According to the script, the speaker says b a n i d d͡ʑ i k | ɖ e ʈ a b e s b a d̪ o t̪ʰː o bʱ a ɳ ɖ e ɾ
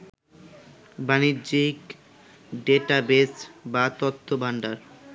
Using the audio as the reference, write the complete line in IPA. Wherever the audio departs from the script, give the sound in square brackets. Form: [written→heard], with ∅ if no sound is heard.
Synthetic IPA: b a n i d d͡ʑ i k | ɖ e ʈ a b e s b a [d̪→t̪] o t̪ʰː o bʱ a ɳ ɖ [e→a] ɾ